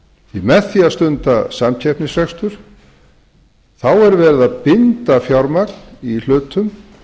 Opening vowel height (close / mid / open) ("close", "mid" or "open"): close